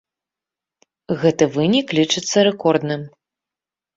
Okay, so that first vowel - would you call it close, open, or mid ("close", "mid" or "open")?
mid